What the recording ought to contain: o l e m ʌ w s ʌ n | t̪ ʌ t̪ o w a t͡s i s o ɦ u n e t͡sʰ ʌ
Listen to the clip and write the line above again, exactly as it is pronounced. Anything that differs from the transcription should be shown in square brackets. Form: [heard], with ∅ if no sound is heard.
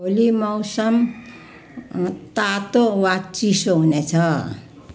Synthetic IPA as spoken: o l [i] m ʌ w s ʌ [m] | t̪ [a] t̪ o w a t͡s i s o ɦ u n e t͡sʰ ʌ